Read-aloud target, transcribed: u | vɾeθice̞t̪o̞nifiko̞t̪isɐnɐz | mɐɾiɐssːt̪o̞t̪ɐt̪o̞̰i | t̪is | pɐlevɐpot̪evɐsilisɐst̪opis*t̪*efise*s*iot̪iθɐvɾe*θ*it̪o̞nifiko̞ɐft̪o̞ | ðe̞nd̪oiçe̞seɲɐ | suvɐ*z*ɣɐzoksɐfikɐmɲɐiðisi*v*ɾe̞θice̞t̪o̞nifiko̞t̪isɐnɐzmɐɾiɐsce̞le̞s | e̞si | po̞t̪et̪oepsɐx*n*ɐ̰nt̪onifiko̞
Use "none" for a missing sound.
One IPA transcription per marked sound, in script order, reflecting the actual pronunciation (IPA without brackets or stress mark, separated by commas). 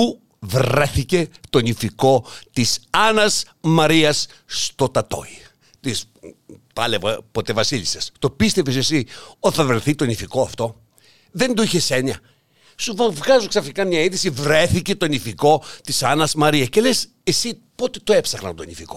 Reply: t̪, s, θ, v, v, n